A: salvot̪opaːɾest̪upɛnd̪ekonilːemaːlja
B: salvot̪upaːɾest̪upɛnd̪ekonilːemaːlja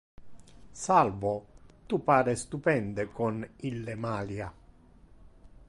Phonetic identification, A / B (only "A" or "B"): B